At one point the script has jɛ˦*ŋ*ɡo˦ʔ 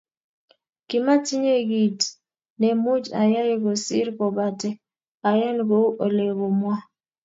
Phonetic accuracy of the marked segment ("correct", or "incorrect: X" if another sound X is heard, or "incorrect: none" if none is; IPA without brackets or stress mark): incorrect: n